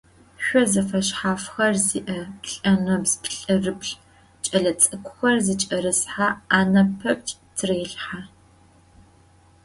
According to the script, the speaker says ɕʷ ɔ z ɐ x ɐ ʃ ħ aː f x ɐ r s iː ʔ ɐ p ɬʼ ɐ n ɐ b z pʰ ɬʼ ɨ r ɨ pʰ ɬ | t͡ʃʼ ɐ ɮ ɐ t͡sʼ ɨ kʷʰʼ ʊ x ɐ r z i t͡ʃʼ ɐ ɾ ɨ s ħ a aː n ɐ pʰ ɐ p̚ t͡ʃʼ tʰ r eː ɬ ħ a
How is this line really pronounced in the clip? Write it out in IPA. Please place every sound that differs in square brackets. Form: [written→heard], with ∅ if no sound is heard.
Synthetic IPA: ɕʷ ɔ z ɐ [x→f] ɐ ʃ ħ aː f x ɐ r [s→z] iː ʔ ɐ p ɬʼ ɐ n ɐ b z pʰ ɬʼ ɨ r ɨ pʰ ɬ | t͡ʃʼ ɐ ɮ ɐ t͡sʼ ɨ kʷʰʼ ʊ x ɐ r z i t͡ʃʼ ɐ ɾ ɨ s ħ a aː n ɐ pʰ ɐ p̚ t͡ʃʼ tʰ r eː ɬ ħ a